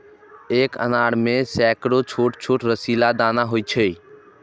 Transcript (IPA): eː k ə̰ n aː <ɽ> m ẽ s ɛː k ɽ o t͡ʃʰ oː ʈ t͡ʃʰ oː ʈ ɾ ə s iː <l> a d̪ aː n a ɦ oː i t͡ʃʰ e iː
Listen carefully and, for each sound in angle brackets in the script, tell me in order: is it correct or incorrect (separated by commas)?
correct, correct